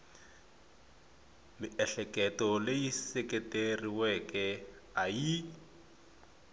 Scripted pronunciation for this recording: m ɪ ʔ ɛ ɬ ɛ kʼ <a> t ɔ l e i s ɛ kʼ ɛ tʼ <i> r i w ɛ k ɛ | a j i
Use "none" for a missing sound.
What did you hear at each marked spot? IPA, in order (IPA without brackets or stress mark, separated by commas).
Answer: ɛ, e